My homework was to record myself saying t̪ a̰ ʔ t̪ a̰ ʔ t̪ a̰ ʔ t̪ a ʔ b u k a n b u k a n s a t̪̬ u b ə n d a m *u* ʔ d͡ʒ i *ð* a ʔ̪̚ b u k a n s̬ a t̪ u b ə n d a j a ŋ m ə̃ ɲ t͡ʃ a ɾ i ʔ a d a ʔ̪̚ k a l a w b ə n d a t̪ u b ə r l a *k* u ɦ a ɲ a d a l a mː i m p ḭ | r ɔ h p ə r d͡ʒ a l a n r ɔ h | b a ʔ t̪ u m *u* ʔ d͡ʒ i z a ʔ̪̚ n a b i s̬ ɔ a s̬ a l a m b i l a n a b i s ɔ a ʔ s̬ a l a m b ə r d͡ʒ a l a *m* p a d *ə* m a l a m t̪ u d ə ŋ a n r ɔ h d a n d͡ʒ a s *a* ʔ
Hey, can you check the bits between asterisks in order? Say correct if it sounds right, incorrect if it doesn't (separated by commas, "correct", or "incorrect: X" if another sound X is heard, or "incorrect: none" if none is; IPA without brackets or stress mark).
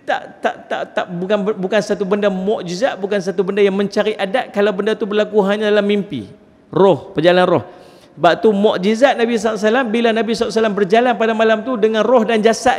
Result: incorrect: ɔ, incorrect: z, correct, incorrect: ɔ, incorrect: n, incorrect: a, correct